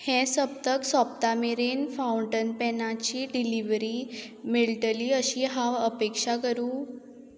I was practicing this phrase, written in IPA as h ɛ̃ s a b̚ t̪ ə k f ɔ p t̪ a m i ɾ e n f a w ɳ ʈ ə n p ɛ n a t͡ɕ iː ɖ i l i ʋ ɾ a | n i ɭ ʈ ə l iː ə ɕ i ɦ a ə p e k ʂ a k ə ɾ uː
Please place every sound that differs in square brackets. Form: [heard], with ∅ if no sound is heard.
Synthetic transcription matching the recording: h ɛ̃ s [ə] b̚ t̪ ə k [s] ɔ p t̪ a m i ɾ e n f a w ɳ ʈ ə n p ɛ n a t͡ɕ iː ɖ i l i ʋ ɾ [i] | [m] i ɭ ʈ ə l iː ə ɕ i ɦ a ə p e k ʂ a k ə ɾ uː